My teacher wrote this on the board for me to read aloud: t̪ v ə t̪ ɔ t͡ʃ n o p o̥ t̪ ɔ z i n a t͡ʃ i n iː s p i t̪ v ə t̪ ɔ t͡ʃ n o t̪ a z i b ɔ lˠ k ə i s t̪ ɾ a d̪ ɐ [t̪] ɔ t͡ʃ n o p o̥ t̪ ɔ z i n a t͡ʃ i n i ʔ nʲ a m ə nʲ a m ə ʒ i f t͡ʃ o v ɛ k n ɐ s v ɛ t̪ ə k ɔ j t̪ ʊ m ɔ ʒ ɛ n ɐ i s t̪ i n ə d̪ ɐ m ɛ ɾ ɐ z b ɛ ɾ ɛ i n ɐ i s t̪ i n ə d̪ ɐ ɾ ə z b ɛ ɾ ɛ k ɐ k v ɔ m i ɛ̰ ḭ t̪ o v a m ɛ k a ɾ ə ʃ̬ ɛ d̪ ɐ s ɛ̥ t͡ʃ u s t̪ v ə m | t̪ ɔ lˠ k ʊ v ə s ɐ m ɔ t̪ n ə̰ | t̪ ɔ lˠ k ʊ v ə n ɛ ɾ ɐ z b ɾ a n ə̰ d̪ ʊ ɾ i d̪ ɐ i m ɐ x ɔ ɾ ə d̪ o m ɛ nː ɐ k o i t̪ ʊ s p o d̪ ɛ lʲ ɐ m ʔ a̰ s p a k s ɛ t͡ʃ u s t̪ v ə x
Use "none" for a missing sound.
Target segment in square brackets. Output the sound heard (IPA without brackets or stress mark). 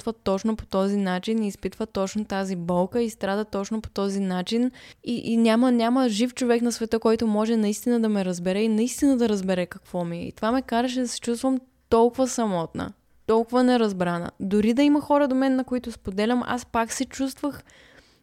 t̪